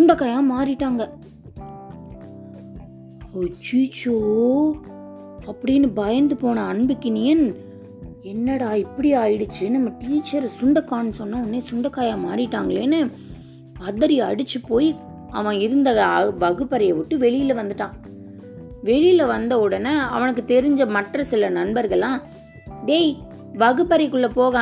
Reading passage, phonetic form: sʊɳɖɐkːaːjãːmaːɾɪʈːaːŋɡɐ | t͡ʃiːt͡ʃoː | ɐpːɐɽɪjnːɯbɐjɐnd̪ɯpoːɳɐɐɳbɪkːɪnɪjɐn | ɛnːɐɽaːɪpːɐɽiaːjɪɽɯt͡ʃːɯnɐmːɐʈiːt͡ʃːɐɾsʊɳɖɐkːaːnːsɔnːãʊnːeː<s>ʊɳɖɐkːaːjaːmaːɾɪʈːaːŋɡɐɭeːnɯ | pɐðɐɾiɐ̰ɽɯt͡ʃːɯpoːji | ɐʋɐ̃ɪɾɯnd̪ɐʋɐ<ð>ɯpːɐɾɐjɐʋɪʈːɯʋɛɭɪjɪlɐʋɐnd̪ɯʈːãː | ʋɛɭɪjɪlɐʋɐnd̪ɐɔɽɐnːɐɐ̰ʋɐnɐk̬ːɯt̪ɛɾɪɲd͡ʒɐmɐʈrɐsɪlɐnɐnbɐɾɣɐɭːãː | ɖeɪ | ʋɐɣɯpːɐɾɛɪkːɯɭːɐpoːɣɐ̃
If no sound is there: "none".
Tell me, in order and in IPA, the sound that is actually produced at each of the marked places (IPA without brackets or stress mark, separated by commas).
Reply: s, ɣ